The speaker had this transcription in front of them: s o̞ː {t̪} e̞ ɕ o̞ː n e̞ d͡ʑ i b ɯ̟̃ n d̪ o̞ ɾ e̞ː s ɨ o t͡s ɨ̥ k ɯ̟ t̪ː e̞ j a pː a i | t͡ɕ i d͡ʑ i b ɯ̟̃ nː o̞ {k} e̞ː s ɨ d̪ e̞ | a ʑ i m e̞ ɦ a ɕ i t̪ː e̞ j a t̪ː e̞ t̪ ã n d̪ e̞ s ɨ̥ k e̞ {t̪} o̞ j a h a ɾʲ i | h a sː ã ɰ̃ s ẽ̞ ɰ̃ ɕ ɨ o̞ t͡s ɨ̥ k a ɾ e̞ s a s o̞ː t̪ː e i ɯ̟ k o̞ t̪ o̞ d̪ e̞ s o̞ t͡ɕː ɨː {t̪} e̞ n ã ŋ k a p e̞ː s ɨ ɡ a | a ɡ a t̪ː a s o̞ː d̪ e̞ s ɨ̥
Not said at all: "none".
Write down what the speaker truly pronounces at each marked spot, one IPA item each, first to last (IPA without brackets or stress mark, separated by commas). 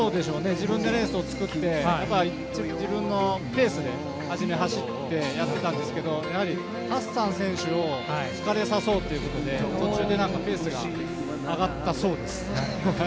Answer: d̪, p, d̪, d̪